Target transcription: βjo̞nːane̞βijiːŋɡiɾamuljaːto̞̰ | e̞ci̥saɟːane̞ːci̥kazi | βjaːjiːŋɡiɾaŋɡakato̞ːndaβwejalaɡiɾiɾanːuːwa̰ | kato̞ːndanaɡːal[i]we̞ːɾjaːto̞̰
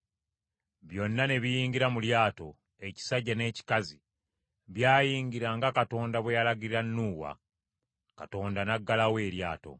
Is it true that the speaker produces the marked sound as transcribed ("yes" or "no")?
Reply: no